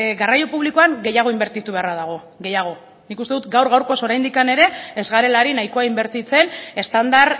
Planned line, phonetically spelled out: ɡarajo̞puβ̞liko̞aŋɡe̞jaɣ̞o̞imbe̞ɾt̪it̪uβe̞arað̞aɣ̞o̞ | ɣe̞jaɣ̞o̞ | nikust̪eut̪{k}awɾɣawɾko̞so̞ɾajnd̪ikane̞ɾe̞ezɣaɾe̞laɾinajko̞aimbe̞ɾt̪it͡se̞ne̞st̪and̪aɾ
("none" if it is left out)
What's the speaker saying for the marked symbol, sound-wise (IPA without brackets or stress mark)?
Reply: ɡ